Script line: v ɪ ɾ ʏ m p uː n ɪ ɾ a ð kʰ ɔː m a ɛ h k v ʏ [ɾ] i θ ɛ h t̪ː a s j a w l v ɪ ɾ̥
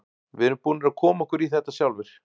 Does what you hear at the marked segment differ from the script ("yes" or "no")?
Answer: no